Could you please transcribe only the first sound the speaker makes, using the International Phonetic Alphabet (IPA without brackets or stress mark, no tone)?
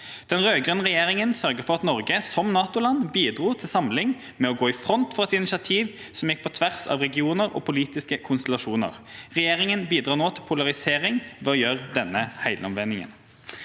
d̪̥